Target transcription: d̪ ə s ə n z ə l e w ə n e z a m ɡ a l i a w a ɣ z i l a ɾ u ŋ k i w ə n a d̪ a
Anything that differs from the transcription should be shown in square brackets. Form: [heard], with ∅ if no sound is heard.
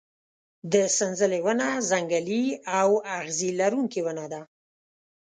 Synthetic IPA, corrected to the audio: d̪ ə s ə n z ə l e w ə n [a] z a [ŋ] ɡ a l i a w a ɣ z i l a ɾ u ŋ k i w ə n a d̪ a